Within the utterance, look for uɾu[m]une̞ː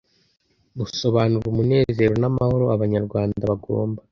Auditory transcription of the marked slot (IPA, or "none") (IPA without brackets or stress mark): m